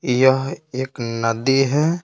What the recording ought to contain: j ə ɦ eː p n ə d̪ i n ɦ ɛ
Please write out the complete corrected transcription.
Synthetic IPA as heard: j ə ɦ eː k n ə d̪ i ɦ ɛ